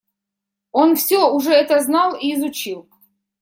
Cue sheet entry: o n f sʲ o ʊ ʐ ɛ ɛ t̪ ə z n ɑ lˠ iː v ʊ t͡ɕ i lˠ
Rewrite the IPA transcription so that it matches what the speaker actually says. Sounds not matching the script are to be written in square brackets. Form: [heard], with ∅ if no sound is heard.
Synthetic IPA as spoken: o n f sʲ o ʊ ʐ ɛ ɛ t̪ ə z n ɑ lˠ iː [z] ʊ t͡ɕ i lˠ